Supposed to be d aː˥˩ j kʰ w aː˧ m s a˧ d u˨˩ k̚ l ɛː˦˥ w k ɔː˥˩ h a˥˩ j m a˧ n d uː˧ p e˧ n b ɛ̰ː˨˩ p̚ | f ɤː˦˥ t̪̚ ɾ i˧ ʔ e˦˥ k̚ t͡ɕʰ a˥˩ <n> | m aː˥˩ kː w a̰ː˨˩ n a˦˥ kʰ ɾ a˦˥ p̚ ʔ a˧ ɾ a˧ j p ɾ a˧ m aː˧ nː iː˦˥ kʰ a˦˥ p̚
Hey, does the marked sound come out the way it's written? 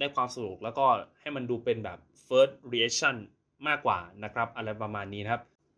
yes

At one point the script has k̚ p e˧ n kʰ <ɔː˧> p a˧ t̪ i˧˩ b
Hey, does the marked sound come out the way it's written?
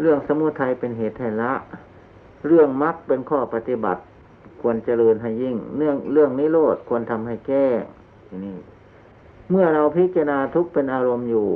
no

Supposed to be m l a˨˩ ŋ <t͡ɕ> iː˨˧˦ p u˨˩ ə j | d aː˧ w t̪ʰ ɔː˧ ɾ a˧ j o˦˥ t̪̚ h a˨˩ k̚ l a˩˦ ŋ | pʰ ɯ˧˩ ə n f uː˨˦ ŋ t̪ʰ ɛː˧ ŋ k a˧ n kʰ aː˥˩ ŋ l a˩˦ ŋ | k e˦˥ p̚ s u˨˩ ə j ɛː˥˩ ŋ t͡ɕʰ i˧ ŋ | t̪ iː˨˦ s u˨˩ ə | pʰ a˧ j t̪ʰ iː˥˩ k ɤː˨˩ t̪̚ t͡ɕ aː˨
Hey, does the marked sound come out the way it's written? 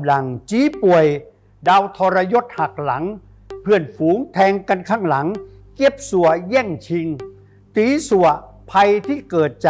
yes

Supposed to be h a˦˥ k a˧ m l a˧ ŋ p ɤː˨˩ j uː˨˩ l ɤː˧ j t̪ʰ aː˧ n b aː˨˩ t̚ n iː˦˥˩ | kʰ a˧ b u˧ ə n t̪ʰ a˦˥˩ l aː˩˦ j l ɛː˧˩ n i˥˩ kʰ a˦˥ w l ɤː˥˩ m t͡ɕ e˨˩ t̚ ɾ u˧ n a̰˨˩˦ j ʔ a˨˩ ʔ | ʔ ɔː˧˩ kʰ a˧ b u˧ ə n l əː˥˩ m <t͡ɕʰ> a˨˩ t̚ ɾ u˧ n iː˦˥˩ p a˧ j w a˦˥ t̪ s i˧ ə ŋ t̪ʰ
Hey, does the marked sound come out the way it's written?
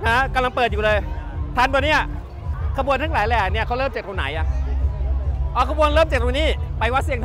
no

